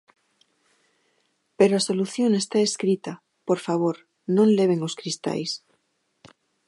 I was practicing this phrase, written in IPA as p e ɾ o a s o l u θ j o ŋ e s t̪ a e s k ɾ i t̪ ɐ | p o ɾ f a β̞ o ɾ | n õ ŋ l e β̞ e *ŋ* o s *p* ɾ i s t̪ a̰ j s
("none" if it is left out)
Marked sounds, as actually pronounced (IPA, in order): ŋ, k

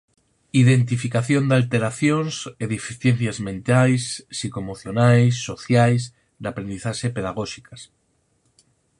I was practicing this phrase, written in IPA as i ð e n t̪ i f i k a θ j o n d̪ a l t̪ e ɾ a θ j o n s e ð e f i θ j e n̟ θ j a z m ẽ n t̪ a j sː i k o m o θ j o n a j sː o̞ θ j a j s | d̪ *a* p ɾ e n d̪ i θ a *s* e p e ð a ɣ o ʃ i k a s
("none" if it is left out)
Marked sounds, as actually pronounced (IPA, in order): a, ʃ

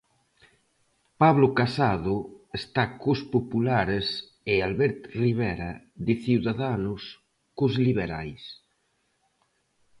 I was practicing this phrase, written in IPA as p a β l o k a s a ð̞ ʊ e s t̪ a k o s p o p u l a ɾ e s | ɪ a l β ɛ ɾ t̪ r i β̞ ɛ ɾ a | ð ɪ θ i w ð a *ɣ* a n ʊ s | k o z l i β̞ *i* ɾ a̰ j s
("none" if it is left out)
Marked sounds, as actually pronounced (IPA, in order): ð, e

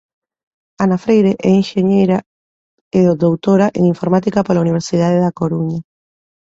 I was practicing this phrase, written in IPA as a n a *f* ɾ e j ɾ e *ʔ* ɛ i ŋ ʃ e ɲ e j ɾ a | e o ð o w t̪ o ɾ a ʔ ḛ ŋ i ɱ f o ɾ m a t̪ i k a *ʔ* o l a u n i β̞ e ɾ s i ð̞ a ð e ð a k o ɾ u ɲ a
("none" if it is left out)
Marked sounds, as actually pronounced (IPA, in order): f, ʔ, p

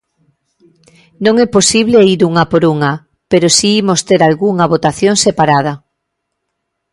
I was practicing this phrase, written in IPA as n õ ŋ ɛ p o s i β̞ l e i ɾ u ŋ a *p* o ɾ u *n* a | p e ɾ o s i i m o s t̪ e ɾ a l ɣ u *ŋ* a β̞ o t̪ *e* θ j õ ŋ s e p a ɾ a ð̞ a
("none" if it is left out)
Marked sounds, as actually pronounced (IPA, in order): p, ŋ, ŋ, a

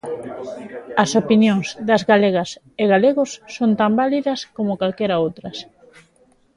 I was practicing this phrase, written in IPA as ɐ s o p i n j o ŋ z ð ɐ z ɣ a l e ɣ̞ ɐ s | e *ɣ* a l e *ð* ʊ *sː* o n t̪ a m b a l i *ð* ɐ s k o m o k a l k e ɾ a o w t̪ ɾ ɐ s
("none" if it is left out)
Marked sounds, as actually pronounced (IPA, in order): ɣ, ɣ, sː, ð

